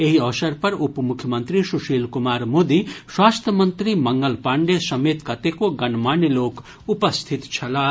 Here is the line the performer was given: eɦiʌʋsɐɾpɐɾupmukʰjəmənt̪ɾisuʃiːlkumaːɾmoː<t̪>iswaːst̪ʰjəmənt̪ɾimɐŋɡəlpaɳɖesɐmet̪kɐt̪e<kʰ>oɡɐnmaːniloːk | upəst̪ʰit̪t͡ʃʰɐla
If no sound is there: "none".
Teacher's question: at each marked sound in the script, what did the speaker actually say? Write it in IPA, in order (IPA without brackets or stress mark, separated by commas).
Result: d̪, k